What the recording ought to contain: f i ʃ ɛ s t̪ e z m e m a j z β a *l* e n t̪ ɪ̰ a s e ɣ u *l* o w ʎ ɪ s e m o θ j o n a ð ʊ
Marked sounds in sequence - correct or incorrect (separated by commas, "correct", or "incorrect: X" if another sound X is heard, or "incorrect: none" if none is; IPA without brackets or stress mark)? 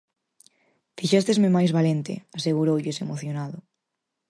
correct, incorrect: ɾ